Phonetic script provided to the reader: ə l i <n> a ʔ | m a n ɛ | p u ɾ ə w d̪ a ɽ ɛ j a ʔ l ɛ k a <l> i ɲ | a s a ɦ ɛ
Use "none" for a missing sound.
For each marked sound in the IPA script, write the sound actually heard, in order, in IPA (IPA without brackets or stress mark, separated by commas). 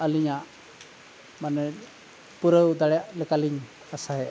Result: ɲ, l